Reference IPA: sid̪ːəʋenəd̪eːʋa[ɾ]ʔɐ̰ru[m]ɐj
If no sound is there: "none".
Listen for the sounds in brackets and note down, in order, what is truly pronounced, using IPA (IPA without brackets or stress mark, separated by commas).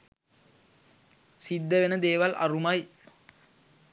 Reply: l, m